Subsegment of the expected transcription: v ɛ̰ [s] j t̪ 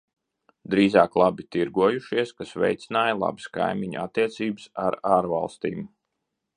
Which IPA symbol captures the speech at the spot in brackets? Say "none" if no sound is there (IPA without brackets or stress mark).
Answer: none